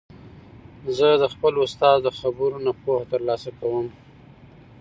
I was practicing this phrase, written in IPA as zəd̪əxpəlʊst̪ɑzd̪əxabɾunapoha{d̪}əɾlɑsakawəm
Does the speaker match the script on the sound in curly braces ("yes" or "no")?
no